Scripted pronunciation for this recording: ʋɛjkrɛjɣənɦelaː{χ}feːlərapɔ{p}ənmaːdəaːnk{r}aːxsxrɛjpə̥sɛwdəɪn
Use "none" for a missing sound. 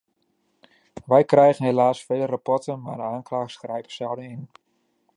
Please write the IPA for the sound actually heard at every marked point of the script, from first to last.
s, t, l

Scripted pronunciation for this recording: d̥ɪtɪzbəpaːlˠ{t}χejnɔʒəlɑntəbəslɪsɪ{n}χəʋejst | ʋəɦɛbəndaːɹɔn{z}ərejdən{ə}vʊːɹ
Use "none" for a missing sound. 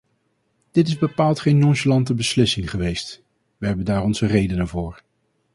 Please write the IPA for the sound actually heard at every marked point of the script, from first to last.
t, ŋ, z, ə

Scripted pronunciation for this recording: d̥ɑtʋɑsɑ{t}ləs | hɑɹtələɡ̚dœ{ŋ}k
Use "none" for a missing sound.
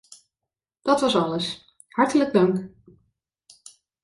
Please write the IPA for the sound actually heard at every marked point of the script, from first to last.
none, ŋ

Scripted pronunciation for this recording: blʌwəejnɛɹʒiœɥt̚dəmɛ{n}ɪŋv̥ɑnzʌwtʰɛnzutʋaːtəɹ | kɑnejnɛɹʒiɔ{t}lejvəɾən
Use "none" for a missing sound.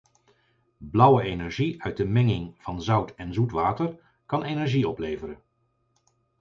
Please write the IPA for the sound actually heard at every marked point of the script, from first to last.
ŋ, p

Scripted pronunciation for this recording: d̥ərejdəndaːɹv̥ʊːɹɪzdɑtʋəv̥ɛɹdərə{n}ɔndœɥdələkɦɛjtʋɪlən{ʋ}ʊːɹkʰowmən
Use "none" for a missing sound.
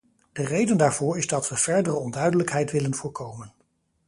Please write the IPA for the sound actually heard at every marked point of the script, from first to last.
none, v

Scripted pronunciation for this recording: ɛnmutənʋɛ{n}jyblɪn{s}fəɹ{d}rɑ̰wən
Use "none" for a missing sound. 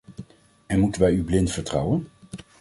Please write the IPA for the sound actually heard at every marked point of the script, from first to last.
none, t, t

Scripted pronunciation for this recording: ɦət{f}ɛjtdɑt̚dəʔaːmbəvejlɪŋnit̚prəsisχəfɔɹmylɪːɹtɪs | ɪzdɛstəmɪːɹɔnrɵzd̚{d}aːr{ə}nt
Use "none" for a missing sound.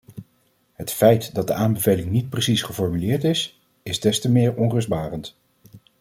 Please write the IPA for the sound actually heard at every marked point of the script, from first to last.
f, b, ə

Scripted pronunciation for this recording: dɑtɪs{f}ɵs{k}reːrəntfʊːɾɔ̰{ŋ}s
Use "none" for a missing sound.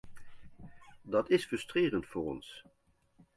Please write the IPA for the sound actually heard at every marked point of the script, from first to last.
f, t, n

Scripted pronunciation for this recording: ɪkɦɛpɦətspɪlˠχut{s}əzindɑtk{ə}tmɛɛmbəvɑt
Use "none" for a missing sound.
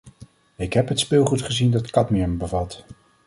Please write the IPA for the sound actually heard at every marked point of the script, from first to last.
χ, ɑ

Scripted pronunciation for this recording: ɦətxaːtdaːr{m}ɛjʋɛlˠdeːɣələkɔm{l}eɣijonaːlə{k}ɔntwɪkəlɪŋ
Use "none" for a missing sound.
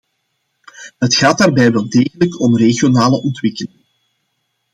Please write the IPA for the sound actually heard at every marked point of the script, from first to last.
b, r, ʔ

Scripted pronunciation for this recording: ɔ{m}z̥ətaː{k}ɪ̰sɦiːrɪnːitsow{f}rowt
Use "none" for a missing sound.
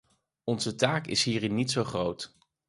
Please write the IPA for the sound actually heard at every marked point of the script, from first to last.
n, k, χ

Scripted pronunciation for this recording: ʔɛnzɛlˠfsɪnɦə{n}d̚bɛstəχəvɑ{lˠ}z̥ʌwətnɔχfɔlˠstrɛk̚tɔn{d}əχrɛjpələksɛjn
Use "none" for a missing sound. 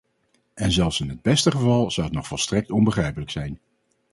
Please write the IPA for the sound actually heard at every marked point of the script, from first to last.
none, lˠ, b

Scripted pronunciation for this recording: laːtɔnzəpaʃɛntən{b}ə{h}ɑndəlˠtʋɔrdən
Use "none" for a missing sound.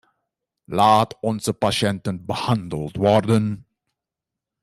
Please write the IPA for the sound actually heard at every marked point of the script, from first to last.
b, h

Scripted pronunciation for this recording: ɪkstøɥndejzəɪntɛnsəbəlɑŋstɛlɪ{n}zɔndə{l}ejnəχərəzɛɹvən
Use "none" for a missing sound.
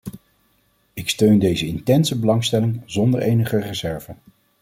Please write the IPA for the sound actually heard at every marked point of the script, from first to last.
ŋ, ɹ

